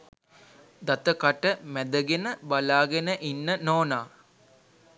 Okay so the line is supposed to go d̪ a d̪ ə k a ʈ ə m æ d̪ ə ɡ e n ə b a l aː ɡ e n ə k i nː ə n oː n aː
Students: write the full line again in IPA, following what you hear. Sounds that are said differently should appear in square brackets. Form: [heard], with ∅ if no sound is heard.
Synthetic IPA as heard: d̪ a [t̪] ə k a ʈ ə m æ d̪ ə ɡ e n ə b a l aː ɡ e n ə [ʔ] i nː ə n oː n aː

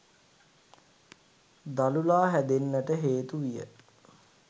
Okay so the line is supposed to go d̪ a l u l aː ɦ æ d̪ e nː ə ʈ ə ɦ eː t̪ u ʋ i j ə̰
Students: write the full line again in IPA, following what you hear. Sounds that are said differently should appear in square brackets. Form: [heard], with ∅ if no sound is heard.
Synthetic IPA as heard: d̪ a l u l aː ɦ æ d̪ e nː ə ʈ ə ɦ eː t̪ u ʋ i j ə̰

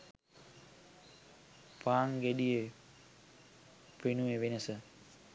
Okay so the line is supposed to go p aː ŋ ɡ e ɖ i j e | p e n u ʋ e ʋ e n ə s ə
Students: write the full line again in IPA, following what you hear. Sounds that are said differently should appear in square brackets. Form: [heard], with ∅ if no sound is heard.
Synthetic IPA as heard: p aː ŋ ɡ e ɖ i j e | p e n u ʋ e ʋ e n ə s ə

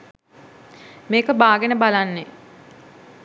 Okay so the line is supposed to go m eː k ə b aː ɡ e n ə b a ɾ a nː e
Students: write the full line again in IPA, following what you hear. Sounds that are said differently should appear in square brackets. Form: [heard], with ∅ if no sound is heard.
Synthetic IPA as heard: m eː k ə b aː ɡ e n ə b a [l] a nː e

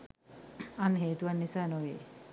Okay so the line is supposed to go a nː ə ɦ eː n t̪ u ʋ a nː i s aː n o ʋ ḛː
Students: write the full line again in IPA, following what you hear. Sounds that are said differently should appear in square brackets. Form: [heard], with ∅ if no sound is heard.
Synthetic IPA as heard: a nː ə ɦ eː [∅] t̪ u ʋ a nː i s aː n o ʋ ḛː

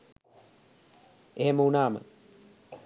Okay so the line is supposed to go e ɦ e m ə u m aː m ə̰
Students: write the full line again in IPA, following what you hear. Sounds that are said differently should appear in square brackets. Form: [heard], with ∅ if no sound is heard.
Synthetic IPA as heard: e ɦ e m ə u [n] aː m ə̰

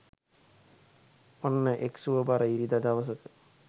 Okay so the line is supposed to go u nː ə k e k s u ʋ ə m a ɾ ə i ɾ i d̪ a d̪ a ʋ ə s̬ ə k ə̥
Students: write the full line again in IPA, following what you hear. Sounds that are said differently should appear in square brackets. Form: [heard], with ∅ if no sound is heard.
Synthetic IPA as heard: [o] nː ə [ʔ] e k s u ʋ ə [b] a ɾ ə i ɾ i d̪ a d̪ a ʋ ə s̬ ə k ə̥

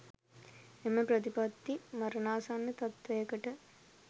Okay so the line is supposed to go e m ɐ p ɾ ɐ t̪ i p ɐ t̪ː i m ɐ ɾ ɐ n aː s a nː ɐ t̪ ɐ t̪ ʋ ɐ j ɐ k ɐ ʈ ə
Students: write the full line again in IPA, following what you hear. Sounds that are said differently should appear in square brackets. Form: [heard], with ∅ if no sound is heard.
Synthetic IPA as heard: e m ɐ p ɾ ɐ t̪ i p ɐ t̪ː i m ɐ ɾ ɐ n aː s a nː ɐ t̪ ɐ t̪ ʋ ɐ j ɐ k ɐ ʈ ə

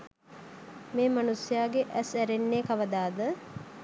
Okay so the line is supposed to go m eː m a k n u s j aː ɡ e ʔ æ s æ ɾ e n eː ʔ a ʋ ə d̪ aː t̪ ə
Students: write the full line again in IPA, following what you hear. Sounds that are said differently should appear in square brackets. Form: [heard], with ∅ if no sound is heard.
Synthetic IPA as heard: m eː m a [∅] n u s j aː ɡ e ʔ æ s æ ɾ e [nː] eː [k] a ʋ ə d̪ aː [d̪] ə

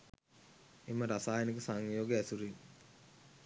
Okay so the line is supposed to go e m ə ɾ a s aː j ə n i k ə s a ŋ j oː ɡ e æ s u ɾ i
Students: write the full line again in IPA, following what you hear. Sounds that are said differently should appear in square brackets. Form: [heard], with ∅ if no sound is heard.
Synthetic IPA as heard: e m ə ɾ a s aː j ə n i k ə s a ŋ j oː ɡ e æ s u ɾ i

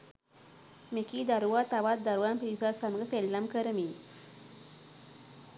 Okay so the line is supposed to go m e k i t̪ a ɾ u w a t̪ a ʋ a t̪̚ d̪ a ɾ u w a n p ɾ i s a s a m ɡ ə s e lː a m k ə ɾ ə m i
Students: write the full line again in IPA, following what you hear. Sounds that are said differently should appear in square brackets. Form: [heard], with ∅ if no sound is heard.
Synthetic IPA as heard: m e k i [d̪] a ɾ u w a t̪ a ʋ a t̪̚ d̪ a ɾ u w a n p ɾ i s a s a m ɡ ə s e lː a m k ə ɾ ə m i

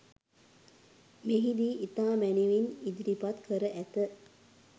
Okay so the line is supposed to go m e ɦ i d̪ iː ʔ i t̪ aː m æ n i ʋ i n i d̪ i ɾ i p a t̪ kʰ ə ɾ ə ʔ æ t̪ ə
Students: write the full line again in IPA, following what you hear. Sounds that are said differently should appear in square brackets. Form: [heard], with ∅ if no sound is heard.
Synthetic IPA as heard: m e ɦ i d̪ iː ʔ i t̪ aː m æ n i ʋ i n i d̪ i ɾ i p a t̪ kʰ ə ɾ ə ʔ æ t̪ ə

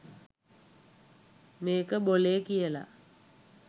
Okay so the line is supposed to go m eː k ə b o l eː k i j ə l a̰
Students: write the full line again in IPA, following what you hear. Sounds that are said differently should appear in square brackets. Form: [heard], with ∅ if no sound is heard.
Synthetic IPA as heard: m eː k ə b o l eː k i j ə l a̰

